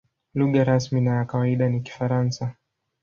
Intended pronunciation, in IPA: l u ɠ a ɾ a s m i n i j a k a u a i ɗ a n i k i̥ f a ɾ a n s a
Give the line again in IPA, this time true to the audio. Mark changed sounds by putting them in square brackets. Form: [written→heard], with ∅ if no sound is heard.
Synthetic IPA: l u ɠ a ɾ a s m i n [i→a] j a k a [u→w] a i ɗ a n i k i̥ f a ɾ a n s a